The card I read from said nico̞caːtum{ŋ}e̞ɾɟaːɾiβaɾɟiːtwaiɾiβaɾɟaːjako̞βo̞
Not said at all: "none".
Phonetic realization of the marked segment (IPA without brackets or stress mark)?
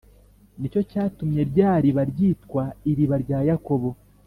ɲ